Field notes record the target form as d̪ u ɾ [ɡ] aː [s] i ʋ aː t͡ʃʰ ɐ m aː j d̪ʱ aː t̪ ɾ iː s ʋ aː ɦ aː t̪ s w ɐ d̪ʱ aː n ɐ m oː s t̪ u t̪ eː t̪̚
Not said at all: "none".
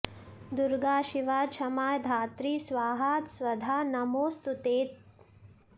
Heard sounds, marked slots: ɡ, ʃ

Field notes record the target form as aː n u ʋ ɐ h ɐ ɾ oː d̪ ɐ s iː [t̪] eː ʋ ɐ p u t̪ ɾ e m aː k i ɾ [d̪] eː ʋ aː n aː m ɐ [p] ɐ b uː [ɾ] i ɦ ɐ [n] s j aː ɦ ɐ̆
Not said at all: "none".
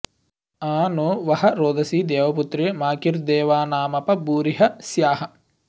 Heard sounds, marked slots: d̪, d̪, p, ɾ, none

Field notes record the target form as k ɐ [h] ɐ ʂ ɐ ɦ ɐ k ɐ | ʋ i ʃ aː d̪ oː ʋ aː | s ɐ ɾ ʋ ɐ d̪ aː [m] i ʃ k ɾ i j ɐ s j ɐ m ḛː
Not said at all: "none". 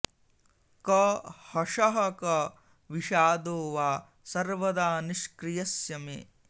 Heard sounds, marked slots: h, n

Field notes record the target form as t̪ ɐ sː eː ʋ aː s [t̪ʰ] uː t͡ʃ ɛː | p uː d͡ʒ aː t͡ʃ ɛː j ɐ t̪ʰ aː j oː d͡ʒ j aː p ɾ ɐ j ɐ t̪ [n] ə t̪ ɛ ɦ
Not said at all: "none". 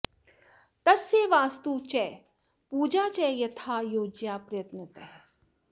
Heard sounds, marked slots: t̪, n

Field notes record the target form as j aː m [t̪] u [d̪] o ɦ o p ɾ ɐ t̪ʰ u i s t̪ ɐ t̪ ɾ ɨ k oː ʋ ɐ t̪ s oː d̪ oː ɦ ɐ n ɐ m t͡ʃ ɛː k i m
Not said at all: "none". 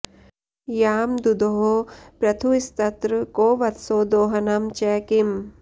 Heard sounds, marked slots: d̪, d̪

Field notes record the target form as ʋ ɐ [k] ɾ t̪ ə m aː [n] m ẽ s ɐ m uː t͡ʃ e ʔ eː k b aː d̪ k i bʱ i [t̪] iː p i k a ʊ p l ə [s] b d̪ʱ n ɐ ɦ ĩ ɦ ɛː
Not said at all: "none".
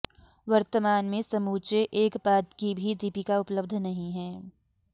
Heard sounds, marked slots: none, n, d̪, none

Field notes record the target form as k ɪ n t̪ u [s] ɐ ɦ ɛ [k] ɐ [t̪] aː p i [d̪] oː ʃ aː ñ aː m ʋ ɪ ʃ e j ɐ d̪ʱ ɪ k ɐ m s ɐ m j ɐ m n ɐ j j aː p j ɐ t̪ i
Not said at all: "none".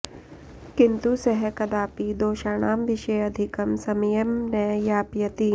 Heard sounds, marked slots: s, k, d̪, d̪

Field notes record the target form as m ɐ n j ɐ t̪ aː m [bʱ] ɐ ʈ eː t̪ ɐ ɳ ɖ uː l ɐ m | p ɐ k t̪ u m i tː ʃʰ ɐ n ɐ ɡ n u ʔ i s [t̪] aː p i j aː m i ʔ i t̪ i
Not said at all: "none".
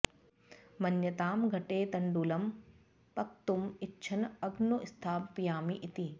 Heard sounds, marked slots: ɡʱ, t̪ʰ

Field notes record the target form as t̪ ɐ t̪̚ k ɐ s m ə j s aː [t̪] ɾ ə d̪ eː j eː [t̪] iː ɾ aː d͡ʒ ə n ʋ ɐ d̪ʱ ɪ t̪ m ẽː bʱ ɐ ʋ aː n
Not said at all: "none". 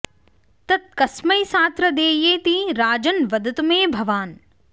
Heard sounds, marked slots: t̪, t̪

